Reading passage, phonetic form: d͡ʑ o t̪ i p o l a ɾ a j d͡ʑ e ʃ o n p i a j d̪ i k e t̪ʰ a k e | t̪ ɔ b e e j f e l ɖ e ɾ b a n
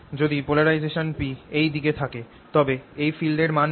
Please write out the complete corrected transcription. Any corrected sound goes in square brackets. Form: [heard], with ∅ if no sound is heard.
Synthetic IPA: d͡ʑ o [d̪] i p o l a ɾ a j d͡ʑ e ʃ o n p i [e] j d̪ i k e t̪ʰ a k e | t̪ ɔ b e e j f [i] l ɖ e ɾ [m] a n